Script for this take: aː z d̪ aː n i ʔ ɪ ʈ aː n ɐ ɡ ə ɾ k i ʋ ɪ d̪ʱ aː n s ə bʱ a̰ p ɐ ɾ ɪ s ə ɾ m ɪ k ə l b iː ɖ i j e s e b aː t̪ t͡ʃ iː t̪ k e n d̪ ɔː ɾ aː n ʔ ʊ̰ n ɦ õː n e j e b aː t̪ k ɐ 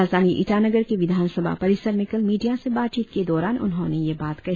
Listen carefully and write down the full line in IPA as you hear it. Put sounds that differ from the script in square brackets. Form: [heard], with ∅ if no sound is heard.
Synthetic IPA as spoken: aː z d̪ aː n i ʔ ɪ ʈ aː n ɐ ɡ ə ɾ k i ʋ ɪ d̪ʱ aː n s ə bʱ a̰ p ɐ ɾ ɪ s ə ɾ m ɪ k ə l [m] iː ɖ i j [a] s e b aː t̪ t͡ʃ iː t̪ k e [∅] d̪ ɔː ɾ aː n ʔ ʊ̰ n ɦ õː n e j e b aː t̪ k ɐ